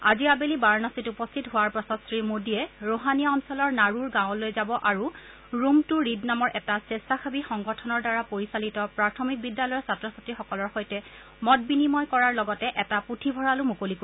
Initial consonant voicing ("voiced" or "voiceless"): voiced